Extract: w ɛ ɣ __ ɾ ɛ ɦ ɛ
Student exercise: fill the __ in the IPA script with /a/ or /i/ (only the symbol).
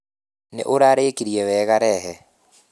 a